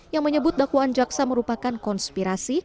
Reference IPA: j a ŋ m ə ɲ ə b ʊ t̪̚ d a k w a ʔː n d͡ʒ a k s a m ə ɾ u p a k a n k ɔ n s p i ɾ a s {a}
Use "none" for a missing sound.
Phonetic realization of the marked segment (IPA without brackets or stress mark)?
i